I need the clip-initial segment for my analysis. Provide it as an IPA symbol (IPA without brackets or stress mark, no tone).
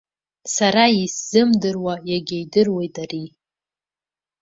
s